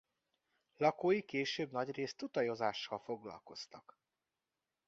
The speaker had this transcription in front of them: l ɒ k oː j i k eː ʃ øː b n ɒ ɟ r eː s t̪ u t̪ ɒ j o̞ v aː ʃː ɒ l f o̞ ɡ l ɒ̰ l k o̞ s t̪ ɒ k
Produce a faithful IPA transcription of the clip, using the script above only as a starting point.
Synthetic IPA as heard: l ɒ k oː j i k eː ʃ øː b n ɒ ɟ r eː s t̪ u t̪ ɒ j o̞ z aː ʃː ɒ l f o̞ ɡ l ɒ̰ l k o̞ s t̪ ɒ k